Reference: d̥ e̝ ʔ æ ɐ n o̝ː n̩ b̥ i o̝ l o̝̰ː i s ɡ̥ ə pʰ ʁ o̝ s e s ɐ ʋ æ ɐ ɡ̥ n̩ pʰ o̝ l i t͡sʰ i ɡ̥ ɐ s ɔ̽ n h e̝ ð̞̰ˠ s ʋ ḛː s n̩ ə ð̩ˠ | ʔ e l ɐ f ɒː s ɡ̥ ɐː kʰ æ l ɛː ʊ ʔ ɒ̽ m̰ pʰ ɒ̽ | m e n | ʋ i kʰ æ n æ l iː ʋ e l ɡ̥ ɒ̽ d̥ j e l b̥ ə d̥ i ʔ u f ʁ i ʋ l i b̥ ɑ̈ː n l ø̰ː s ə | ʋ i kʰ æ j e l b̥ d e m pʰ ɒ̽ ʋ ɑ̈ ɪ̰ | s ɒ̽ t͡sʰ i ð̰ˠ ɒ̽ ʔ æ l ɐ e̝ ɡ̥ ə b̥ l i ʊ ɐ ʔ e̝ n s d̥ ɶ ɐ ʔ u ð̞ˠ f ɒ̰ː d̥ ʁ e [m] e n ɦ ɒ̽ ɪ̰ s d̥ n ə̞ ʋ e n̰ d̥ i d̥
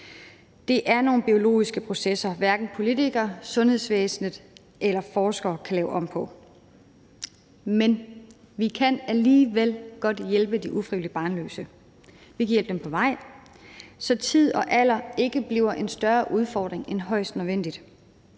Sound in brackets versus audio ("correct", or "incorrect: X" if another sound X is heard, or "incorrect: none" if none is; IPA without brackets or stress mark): incorrect: ŋ